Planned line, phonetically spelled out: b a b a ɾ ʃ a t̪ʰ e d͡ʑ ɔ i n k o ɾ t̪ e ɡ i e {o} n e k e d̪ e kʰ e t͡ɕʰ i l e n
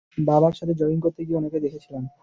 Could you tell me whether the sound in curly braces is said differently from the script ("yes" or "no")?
no